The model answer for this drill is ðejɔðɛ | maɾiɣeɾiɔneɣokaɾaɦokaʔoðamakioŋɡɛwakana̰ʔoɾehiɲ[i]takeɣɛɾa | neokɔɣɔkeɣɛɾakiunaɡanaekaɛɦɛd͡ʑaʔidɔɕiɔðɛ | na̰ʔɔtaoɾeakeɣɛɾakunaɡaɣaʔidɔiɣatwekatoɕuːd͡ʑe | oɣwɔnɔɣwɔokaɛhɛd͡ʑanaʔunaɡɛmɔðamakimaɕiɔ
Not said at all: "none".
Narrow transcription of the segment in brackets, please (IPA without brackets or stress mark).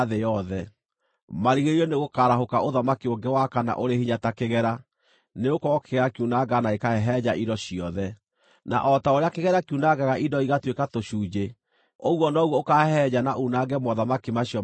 a